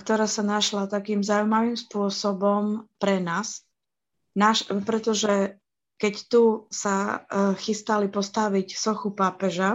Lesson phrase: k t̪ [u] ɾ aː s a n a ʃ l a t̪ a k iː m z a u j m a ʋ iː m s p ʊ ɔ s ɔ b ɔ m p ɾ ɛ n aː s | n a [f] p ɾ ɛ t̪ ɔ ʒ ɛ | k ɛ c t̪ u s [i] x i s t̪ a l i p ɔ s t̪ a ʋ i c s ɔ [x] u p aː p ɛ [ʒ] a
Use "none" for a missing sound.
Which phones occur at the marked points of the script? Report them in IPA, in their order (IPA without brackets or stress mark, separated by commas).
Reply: ɔ, ʃ, a, x, ʒ